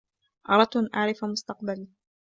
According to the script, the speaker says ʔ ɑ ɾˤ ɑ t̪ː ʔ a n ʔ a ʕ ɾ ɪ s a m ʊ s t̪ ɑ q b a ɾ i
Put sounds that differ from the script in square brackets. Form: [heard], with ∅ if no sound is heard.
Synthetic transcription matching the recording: ʔ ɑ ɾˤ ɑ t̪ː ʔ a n ʔ a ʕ ɾ ɪ [f] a m ʊ s t̪ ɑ q b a [l] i